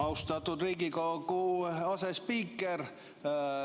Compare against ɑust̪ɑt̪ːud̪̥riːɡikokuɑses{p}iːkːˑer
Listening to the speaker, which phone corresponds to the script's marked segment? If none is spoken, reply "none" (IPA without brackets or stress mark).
p